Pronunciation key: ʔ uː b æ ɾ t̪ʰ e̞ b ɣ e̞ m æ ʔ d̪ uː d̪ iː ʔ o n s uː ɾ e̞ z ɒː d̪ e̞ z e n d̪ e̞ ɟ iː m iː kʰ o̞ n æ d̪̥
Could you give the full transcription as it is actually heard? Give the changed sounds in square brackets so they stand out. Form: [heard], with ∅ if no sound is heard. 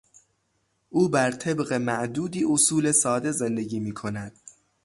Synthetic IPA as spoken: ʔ uː b æ ɾ t̪ʰ e̞ b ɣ e̞ m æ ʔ d̪ uː d̪ iː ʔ o [∅] s uː [l] e̞ [s] ɒː d̪ e̞ z e n d̪ e̞ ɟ iː m iː kʰ o̞ n æ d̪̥